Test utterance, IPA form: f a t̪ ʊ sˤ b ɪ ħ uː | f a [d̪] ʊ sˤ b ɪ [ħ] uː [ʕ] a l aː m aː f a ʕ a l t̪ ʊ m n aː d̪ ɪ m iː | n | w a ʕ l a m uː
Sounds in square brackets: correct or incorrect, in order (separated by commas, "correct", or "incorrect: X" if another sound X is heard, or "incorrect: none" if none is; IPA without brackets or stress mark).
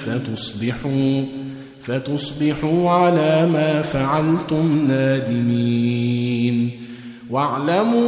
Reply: incorrect: t̪, correct, correct